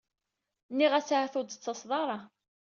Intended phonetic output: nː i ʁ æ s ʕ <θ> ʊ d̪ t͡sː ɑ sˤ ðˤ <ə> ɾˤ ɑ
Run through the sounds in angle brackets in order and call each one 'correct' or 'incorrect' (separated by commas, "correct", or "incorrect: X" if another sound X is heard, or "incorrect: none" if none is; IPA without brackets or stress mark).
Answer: correct, incorrect: ɑ